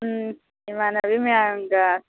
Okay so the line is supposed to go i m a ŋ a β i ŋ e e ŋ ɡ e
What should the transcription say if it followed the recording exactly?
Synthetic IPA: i m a n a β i m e a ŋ ɡ a

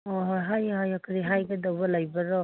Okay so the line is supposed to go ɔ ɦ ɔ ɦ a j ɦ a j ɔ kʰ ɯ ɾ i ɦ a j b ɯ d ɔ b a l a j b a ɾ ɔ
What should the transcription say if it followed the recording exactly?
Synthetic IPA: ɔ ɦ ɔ ɦ a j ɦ a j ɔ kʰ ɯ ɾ i ɦ a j ɡ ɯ d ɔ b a l a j b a ɾ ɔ

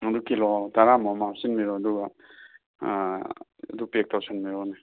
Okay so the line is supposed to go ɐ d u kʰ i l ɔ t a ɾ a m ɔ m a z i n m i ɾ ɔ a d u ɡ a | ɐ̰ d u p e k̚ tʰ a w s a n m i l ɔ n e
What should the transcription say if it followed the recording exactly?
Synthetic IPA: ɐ d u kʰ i l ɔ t a ɾ a m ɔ m a s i n m i ɾ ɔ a d u ɡ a | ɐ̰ d u p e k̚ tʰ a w s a n m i ɾ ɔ n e

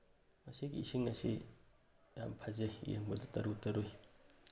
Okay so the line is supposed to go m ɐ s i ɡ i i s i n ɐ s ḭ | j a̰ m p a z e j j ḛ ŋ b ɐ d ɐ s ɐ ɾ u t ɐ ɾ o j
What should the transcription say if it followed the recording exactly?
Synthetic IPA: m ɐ s i ɡ i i s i ŋ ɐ s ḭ | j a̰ m pʰ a z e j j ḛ ŋ b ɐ d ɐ t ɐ ɾ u t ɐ ɾ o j

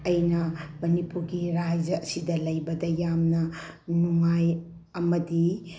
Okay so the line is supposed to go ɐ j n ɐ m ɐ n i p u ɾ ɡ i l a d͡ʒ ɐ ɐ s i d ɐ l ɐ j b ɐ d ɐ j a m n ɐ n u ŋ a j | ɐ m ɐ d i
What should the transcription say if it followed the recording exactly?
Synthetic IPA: ɐ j n ɐ m ɐ n i p u ɾ ɡ i ɾ a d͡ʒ ɐ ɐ s i d ɐ l ɐ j b ɐ d ɐ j a m n ɐ n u ŋ a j | ɐ m ɐ d i

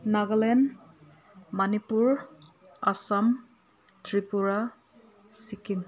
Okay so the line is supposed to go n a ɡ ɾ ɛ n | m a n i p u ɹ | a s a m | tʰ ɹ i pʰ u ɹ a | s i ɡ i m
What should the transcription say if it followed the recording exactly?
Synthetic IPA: n a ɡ l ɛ n | m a n i p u ɹ | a s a m | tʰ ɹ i p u ɹ a | s i k i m

